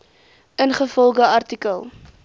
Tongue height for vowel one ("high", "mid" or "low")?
mid